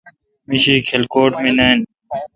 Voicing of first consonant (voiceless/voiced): voiced